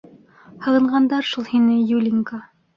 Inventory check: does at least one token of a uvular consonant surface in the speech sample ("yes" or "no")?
yes